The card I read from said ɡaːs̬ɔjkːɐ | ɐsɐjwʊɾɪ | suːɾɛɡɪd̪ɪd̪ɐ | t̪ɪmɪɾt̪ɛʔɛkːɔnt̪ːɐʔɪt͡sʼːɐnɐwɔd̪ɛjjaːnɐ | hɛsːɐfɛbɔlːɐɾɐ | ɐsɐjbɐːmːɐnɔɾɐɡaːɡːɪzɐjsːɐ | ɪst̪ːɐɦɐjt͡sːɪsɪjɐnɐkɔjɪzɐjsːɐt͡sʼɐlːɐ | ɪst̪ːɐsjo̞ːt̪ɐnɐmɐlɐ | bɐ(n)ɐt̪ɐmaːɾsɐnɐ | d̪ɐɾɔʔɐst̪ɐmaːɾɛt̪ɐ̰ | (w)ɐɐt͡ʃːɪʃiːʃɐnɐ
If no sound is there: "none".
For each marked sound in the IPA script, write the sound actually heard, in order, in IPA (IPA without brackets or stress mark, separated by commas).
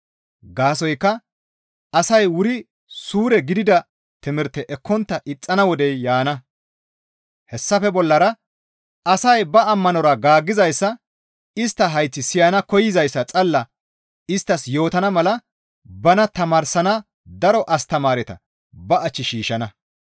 n, b